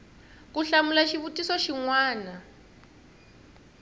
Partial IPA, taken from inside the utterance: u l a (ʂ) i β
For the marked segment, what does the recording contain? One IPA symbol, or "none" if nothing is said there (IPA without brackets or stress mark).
ʃ